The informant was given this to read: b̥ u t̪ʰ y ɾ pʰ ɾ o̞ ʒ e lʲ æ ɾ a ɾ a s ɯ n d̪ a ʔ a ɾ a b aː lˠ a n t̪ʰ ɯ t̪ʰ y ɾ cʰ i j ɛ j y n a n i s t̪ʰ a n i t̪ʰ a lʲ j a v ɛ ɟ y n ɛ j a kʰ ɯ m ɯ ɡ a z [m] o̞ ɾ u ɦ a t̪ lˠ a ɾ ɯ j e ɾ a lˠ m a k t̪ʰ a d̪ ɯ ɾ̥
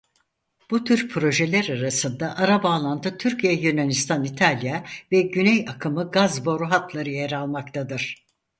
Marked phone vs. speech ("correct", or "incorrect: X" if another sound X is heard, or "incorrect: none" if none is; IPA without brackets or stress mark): incorrect: b